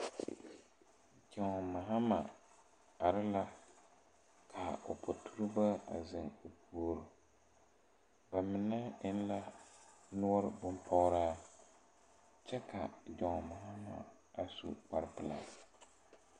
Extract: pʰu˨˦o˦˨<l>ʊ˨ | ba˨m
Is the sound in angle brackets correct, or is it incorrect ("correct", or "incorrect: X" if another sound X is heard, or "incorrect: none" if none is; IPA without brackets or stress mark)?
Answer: incorrect: ɾ